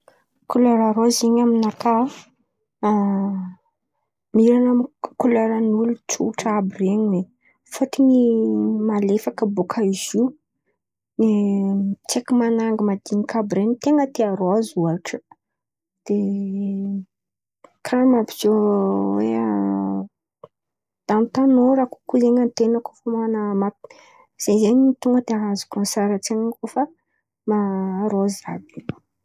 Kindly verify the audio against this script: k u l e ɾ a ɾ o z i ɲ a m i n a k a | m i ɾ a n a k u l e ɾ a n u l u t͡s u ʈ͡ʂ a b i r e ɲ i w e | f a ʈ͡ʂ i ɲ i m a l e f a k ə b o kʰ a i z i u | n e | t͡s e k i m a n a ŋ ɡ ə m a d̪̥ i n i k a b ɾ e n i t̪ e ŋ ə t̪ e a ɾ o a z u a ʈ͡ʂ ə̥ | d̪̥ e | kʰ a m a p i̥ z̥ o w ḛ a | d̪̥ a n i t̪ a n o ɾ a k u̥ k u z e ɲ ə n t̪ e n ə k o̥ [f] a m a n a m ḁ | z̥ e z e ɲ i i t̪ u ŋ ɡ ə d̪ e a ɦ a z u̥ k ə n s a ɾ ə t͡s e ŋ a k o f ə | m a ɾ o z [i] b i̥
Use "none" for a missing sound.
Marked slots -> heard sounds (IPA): f, a

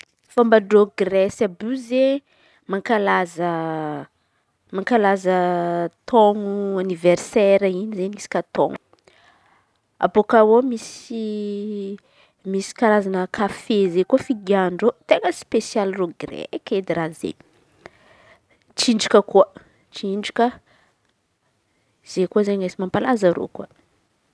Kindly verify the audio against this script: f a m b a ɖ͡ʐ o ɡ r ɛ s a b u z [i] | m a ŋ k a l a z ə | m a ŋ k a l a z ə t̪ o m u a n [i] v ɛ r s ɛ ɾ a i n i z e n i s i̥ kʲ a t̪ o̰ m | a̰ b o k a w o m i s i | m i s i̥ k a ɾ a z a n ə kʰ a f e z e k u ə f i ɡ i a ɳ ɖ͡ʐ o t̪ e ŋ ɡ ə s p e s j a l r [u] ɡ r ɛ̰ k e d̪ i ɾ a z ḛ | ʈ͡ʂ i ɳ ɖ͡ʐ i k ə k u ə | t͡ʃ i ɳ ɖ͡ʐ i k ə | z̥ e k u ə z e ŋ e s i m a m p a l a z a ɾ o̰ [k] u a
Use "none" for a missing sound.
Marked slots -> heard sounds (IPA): e, i, o, k

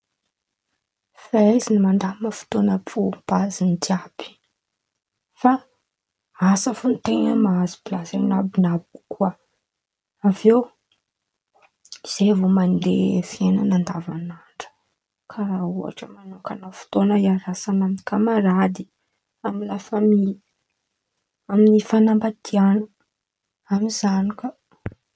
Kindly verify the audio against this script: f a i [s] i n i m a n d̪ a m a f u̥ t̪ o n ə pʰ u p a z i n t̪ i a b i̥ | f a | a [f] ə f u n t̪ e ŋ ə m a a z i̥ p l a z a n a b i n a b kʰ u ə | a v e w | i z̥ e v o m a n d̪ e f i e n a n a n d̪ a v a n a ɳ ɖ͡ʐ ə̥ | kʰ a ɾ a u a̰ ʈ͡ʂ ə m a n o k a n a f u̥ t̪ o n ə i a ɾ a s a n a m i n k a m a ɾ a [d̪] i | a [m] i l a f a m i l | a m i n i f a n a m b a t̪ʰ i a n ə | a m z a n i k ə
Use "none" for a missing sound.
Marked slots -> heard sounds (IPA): z, s, d̪, m

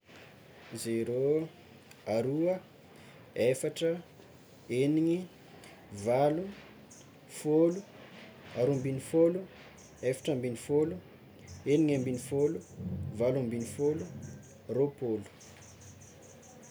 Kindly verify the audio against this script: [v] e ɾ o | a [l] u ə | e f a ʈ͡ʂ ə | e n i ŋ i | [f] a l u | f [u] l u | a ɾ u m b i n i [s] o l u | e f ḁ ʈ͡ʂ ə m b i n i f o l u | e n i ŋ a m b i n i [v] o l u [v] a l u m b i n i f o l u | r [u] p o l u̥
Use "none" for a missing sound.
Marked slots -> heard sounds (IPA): z, ɾ, v, o, f, f, v, o

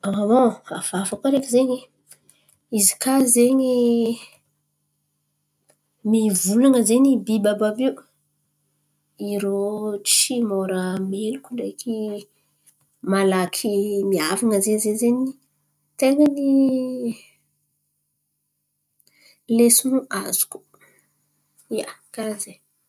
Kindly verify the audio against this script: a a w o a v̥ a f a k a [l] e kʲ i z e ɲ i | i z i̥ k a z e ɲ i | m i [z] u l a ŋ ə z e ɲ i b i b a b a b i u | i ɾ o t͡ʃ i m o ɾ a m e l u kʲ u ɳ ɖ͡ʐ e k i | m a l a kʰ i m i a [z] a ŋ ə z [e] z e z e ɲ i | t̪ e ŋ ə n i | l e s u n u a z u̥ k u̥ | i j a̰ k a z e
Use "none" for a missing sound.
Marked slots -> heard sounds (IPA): ɾ, v, v, e

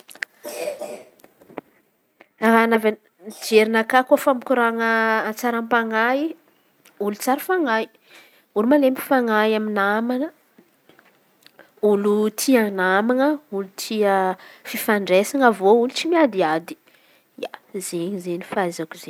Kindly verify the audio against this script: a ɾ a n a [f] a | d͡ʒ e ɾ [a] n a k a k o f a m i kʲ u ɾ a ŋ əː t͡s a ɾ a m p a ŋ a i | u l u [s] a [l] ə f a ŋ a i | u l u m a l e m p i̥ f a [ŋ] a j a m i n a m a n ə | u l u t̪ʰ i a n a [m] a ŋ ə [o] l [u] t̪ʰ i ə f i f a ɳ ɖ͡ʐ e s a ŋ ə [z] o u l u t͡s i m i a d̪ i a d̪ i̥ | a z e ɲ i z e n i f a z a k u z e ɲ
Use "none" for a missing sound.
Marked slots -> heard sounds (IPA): v, i, t͡s, ɾ, ŋ, m, u, u, v

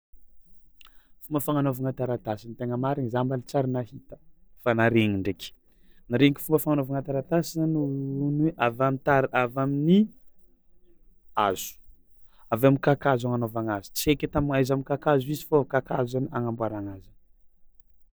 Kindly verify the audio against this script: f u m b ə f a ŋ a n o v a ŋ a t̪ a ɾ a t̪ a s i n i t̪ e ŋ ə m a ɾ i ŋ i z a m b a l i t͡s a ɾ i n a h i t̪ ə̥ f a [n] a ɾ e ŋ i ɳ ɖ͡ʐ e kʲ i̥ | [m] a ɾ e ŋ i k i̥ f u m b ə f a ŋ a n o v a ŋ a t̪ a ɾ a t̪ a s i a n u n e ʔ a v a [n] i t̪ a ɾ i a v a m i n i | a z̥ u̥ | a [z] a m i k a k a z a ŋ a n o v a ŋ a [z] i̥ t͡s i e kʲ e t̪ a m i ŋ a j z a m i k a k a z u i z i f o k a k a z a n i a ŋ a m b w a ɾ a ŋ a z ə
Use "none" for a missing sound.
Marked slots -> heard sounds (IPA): n, n, m, v, z

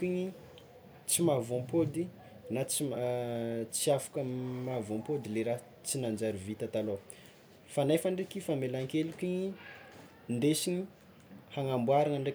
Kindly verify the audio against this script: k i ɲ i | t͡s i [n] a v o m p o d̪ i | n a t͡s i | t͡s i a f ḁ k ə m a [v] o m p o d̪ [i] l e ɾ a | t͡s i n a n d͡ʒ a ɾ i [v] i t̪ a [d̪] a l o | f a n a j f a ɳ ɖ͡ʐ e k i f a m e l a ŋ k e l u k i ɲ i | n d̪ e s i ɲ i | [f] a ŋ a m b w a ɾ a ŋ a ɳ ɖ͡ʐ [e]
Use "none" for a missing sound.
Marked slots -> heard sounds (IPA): m, v, i, v, t̪, h, e

